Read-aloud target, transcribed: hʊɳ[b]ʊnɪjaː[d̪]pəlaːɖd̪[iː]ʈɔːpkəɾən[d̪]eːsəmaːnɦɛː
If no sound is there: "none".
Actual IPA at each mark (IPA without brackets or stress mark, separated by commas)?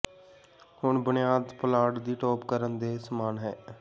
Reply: b, d̪, iː, d̪